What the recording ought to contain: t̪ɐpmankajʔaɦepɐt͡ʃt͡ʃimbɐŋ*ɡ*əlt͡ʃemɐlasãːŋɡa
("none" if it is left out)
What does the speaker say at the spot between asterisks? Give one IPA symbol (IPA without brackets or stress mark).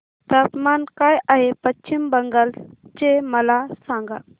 ɡ